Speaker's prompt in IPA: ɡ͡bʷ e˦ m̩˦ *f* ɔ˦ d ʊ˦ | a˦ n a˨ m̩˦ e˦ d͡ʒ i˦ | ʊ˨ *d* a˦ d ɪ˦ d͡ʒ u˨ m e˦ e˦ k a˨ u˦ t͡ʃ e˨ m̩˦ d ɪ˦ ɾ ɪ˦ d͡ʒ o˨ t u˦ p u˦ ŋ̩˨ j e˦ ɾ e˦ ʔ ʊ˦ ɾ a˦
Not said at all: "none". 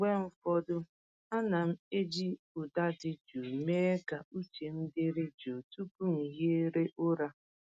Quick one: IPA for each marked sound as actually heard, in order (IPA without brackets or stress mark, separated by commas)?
f, d